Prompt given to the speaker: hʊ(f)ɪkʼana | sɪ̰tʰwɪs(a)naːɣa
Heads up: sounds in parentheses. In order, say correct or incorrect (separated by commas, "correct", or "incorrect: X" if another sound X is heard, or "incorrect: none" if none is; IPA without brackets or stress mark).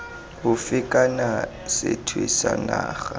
correct, correct